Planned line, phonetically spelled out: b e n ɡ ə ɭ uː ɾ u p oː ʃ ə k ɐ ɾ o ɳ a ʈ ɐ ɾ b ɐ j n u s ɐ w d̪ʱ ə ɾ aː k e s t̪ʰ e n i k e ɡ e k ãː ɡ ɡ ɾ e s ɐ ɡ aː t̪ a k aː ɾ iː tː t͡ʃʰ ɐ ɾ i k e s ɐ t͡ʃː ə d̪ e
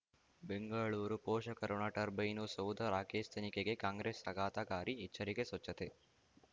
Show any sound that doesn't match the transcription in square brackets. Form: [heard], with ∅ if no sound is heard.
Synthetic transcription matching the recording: b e [ŋ] ɡ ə ɭ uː ɾ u p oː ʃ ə k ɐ ɾ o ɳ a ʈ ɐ ɾ b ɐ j n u s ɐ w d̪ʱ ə ɾ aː k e s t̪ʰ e n i k e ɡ e k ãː [ŋ] ɡ ɾ e s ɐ ɡ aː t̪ a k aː ɾ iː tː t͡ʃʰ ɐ ɾ i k e s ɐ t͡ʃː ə [t̪] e